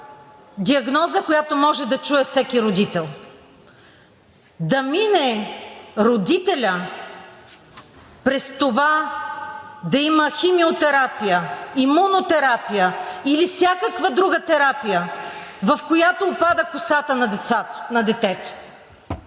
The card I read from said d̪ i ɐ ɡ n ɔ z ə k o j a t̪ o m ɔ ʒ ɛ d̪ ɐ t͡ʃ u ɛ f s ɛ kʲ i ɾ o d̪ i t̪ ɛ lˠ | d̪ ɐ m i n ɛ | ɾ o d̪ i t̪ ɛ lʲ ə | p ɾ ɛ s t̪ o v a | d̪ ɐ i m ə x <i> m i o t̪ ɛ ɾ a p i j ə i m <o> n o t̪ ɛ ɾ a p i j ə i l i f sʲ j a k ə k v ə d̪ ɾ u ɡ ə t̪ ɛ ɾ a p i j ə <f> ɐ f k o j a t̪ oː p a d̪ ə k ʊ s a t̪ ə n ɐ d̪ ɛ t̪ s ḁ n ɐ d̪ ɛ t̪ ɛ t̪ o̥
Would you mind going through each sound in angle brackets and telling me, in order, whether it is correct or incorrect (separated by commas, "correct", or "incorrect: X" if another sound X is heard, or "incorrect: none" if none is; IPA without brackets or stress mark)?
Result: correct, incorrect: u, incorrect: v